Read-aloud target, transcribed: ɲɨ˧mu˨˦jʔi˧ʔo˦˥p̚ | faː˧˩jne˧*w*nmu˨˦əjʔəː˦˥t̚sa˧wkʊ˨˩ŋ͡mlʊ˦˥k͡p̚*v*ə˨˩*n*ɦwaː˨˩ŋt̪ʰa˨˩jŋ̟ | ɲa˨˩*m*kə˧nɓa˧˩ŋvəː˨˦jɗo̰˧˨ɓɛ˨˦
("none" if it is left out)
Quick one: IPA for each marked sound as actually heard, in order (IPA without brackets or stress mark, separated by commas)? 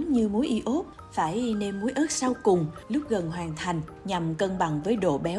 none, ɣ, n, m